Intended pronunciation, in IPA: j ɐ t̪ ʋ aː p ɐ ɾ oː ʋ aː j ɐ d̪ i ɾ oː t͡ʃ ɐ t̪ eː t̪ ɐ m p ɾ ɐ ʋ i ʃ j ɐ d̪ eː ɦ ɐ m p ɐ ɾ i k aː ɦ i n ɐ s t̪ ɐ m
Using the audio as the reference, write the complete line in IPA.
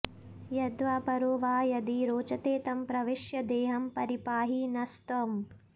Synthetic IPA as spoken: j ɐ d̪ ʋ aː p ɐ ɾ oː ʋ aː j ɐ d̪ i ɾ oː t͡ʃ ɐ t̪ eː t̪ ɐ m p ɾ ɐ ʋ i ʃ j ɐ d̪ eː ɦ ɐ m p ɐ ɾ i p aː ɦ i n ɐ s t̪ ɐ m